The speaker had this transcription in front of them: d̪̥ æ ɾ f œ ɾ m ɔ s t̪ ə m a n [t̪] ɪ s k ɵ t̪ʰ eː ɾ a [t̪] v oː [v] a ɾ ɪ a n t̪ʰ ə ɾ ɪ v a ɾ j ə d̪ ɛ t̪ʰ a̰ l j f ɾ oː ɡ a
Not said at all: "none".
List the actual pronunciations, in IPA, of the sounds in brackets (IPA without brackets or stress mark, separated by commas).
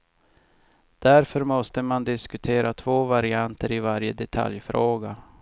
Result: d̪, t̪ʰ, v